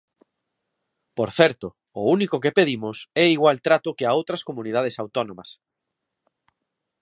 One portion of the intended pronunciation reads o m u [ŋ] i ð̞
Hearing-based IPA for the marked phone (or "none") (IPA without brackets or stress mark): n